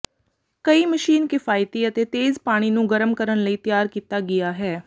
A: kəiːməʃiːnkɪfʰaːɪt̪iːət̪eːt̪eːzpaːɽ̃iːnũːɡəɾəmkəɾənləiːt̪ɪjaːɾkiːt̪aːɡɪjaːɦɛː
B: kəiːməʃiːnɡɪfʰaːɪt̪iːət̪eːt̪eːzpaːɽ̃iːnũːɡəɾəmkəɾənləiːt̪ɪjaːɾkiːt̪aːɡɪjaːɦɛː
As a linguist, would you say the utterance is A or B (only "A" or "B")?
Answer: A